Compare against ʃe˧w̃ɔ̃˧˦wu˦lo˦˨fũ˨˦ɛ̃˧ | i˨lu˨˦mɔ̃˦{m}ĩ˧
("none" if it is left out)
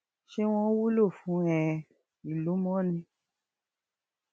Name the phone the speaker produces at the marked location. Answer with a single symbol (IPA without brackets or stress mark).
n